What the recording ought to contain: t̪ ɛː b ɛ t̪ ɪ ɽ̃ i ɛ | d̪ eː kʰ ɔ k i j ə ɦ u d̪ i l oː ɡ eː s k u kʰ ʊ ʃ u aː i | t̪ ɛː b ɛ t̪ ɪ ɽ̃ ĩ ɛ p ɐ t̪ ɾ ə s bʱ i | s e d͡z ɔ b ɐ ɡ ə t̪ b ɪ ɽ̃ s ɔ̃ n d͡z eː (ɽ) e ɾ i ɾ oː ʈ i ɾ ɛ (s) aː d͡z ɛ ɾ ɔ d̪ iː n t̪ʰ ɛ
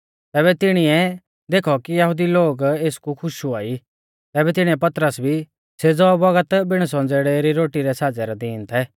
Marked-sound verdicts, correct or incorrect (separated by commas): correct, correct